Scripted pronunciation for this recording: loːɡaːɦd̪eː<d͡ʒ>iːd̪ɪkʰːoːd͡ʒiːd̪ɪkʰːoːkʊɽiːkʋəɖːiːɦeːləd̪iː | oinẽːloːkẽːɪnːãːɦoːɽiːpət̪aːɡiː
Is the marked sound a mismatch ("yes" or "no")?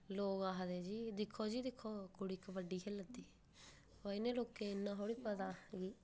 no